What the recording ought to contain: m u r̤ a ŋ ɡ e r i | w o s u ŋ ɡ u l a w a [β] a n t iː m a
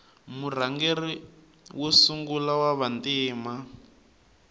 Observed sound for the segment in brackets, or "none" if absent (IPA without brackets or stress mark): β